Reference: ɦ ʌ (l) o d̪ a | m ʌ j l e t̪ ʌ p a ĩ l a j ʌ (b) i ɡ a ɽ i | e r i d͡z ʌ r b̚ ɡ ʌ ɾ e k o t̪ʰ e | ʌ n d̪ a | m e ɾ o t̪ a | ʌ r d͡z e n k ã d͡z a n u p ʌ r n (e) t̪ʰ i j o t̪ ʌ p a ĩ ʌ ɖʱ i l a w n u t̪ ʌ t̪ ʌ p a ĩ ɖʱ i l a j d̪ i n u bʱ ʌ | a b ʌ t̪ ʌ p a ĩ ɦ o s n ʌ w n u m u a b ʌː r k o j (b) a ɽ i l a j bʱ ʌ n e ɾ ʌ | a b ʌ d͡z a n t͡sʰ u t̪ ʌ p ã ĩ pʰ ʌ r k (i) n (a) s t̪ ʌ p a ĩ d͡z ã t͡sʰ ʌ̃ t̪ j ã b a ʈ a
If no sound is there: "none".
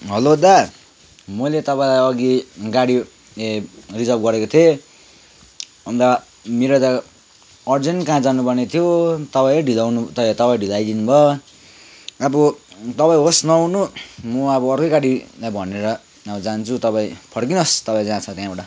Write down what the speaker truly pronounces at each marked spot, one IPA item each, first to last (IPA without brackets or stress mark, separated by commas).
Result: l, ɡ, e, ɡ, i, ʌ